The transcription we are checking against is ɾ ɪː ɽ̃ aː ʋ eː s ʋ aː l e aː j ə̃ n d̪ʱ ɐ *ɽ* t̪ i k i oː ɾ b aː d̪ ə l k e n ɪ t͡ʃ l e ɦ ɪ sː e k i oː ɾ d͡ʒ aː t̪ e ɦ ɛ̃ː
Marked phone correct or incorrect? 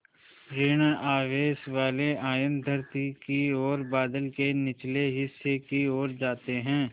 incorrect